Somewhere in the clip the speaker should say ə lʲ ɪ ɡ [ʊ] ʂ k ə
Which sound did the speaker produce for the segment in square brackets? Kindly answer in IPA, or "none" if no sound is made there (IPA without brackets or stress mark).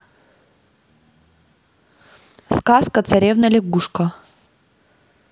u